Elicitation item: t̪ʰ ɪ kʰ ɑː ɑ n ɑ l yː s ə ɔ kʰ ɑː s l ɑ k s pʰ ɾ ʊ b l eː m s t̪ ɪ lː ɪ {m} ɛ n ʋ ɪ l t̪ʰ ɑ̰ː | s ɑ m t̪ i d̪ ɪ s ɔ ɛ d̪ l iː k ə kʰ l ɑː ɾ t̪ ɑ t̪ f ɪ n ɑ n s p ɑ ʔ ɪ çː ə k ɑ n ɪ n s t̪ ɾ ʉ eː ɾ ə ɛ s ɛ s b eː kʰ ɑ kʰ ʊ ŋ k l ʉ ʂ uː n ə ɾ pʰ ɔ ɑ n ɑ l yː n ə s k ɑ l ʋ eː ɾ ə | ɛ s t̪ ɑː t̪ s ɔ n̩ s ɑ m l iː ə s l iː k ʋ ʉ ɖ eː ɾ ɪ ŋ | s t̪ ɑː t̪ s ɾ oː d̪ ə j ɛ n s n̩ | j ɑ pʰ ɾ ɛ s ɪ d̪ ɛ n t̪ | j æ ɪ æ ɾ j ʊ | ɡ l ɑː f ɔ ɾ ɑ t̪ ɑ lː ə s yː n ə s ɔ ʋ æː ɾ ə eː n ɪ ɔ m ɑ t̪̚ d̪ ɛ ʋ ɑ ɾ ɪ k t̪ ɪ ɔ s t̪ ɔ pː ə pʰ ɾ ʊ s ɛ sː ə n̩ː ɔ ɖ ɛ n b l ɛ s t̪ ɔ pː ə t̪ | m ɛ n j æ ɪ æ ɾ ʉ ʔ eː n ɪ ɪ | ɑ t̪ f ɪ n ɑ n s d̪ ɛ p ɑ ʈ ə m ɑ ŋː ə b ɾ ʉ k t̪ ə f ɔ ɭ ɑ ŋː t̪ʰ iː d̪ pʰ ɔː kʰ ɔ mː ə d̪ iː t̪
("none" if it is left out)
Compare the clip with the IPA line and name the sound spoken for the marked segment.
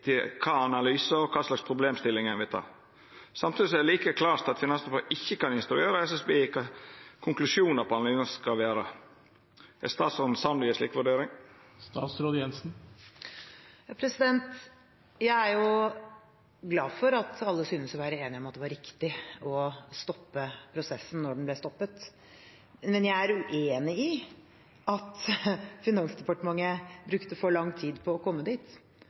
ŋ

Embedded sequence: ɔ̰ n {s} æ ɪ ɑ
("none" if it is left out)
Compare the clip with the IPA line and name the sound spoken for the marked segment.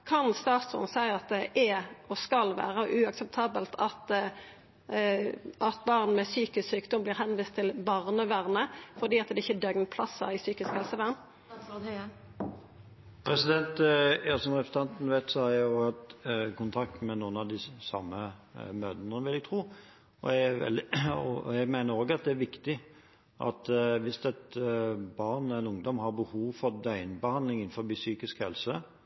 s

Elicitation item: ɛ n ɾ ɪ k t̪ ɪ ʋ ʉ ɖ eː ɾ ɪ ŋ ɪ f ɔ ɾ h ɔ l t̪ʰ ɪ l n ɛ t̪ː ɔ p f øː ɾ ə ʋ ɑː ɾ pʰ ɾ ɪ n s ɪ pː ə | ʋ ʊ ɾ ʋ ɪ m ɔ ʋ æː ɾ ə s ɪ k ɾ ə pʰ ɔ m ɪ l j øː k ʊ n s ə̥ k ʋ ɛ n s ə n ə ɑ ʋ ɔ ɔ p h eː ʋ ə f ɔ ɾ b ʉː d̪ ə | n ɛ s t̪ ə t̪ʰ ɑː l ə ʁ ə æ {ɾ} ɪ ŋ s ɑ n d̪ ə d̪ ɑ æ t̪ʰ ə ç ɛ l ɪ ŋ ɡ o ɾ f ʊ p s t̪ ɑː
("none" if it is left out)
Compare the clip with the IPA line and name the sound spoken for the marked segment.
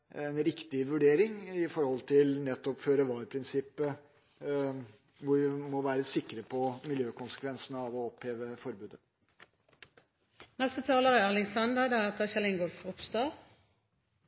l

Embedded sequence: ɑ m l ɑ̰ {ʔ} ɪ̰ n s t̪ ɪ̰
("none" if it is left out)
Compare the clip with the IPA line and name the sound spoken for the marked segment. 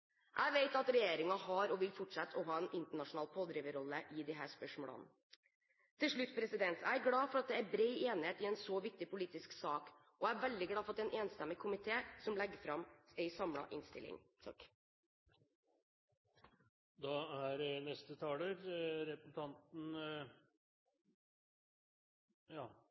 ʔ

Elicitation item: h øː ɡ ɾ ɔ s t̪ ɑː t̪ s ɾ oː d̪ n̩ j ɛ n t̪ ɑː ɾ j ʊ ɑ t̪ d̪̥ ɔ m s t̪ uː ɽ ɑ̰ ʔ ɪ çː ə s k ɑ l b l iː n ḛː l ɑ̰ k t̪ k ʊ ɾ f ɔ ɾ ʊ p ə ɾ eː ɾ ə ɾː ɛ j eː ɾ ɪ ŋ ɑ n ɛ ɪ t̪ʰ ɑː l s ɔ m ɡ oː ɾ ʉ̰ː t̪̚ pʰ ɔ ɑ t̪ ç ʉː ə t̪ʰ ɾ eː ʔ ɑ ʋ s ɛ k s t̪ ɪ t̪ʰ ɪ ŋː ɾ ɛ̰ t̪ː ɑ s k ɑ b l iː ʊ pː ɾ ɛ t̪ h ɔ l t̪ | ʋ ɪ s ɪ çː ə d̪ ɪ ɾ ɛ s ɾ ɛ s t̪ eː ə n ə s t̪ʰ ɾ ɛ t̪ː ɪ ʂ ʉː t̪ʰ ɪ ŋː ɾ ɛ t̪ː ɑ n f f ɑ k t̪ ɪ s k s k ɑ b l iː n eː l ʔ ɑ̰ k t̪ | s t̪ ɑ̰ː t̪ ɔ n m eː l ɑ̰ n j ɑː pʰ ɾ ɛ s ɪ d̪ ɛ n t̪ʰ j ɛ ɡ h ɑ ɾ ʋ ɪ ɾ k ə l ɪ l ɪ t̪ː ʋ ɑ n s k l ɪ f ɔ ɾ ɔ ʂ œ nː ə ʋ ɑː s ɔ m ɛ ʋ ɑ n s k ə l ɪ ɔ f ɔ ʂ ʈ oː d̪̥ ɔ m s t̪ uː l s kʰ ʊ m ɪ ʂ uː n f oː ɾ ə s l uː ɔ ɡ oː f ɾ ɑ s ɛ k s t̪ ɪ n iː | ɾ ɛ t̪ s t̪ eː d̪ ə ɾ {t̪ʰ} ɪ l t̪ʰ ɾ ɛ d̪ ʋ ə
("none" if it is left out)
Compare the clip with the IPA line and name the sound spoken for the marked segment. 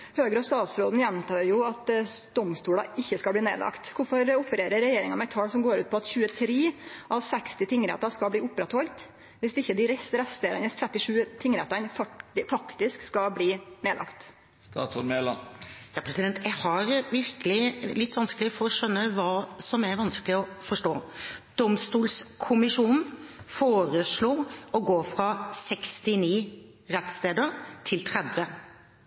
t̪ʰ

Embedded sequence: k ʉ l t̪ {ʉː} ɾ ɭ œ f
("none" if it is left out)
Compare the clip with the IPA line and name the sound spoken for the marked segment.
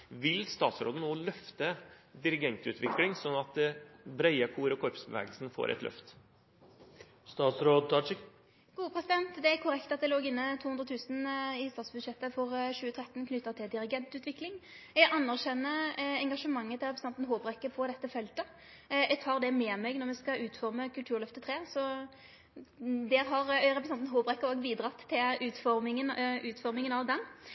ʉː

